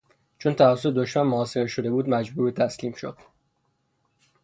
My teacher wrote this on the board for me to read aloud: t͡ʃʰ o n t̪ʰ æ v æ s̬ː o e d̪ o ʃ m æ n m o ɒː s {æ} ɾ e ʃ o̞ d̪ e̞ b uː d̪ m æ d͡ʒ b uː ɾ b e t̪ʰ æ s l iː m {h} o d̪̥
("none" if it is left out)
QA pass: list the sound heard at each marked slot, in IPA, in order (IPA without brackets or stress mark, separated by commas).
e, ʃ